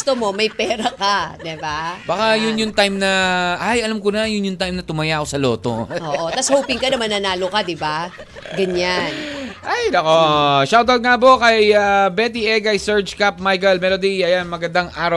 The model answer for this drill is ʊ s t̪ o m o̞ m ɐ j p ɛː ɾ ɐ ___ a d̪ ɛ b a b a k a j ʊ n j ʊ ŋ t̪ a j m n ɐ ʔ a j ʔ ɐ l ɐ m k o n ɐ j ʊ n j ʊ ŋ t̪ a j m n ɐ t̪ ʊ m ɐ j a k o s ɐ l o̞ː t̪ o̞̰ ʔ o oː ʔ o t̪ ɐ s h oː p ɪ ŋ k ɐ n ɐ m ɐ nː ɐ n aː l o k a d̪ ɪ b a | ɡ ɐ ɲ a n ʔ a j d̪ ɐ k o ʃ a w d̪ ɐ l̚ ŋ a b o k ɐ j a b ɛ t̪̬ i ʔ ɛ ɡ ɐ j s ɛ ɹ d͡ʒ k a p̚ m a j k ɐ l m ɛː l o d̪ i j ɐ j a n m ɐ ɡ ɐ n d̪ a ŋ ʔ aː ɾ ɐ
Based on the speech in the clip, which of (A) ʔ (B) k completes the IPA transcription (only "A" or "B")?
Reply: B